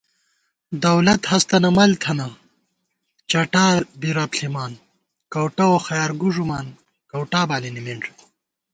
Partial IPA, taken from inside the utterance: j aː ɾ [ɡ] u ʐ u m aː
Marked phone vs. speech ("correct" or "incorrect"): correct